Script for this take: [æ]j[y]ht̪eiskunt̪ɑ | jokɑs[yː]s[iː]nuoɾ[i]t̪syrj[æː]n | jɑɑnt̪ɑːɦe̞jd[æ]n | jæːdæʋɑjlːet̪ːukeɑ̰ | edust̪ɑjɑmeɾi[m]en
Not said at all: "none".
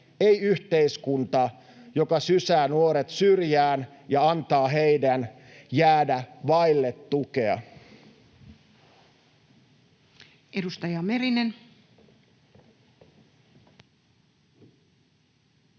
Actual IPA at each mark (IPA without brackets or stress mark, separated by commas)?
e, y, y, æː, e, æː, æ, n